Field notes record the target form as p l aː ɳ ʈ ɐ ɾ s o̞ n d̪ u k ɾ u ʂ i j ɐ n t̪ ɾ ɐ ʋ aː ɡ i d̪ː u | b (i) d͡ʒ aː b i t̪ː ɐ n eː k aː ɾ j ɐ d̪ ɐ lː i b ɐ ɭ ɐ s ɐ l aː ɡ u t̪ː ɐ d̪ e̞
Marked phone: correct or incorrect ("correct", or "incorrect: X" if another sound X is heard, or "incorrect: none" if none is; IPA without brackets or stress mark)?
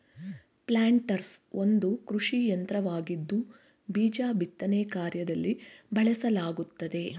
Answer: incorrect: iː